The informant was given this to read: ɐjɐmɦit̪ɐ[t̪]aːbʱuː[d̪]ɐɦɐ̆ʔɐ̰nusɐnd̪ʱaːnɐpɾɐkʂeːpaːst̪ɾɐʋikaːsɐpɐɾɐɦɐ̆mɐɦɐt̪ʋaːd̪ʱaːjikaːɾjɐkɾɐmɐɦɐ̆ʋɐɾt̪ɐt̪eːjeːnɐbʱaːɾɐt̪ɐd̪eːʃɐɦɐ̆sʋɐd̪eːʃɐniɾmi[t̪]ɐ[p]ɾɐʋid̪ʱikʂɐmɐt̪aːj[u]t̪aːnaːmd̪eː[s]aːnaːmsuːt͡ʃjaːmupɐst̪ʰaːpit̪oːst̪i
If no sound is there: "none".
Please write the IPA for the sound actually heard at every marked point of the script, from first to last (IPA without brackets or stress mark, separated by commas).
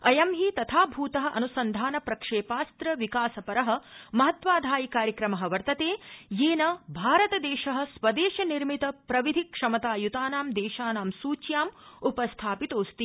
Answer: t̪ʰ, t̪, t̪, p, u, ʃ